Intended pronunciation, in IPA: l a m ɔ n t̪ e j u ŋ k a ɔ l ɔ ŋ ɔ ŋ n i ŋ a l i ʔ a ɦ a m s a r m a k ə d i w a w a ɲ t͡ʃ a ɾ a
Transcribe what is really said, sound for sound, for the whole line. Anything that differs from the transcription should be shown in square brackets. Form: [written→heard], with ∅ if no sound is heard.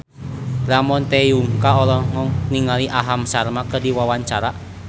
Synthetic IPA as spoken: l a m ɔ n t̪ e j u ŋ k a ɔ l ɔ ŋ ɔ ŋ n i ŋ a l i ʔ a ɦ a m s a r m a k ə d i w a w a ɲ t͡ʃ a ɾ a